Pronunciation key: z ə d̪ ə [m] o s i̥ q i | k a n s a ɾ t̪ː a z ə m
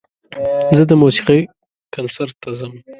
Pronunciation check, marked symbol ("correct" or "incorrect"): correct